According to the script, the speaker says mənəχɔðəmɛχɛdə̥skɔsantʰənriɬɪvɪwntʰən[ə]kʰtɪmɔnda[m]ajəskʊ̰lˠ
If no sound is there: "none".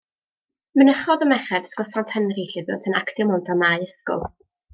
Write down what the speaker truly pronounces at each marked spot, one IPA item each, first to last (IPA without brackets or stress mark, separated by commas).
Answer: a, m